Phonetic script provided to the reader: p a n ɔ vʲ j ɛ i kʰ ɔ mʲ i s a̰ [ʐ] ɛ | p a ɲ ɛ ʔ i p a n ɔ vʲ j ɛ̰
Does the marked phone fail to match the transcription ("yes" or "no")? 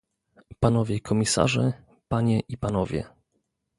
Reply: no